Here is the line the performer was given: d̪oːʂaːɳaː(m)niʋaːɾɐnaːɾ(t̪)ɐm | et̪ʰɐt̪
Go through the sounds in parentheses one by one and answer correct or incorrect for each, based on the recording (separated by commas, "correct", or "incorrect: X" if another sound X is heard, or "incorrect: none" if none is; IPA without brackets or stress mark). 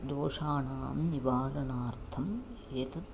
correct, incorrect: t̪ʰ